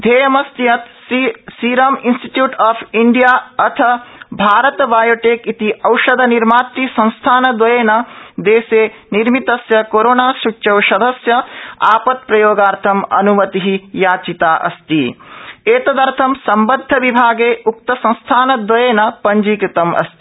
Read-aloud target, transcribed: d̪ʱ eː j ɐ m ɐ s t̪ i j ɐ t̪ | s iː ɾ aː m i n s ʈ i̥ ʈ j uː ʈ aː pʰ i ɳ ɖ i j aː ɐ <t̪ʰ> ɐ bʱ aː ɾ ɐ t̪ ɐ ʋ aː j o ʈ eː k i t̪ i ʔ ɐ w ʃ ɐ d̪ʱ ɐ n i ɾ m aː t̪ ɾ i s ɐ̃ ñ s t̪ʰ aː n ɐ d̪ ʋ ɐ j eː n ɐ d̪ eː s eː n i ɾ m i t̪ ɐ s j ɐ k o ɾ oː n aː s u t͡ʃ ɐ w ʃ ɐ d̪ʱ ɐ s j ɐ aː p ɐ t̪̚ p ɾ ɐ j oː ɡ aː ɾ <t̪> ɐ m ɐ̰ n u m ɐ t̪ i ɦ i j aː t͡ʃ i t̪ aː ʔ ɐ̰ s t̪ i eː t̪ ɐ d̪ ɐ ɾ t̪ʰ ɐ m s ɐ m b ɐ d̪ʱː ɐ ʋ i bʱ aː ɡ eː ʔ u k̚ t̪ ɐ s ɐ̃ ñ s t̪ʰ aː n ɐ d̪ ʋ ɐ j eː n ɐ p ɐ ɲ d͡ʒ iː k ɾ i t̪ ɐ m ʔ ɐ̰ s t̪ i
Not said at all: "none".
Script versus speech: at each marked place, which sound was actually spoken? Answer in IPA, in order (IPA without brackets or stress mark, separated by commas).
t̪ʰ, t̪ʰ